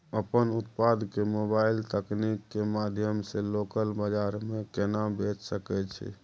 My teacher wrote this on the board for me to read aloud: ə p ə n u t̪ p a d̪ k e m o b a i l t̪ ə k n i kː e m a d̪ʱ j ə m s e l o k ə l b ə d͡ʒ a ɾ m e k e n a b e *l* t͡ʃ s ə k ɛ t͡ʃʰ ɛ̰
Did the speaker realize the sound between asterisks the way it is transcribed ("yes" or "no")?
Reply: no